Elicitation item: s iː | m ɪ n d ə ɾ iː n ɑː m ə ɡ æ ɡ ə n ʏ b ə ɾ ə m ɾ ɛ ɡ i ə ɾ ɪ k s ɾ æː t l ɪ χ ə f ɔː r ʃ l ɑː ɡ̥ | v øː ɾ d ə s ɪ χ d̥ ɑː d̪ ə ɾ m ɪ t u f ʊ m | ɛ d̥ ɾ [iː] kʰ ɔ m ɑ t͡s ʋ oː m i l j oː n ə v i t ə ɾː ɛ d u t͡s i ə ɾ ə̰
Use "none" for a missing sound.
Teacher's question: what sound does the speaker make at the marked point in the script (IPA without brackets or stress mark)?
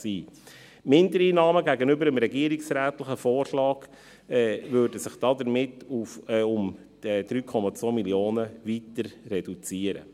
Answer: yː